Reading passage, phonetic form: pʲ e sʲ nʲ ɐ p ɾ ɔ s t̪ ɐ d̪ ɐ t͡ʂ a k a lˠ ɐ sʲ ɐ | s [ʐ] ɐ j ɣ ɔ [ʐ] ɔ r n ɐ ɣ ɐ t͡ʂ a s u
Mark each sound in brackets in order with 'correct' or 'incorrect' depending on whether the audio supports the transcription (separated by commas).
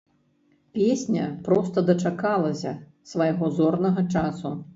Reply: incorrect, incorrect